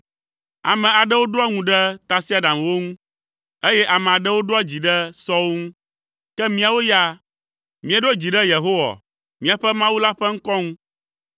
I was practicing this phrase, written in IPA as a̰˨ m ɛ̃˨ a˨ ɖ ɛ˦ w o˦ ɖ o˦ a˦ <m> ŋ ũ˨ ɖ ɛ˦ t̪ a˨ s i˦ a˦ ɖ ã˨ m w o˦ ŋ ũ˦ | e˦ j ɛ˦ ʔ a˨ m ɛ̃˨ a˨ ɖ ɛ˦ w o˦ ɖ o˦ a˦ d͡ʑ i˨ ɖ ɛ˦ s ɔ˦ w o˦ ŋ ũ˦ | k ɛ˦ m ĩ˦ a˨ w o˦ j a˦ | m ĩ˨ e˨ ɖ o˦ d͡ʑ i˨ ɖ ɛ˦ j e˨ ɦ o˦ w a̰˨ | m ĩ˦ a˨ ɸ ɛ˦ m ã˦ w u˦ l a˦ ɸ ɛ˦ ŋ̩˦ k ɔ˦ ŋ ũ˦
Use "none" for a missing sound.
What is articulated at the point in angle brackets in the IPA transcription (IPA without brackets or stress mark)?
none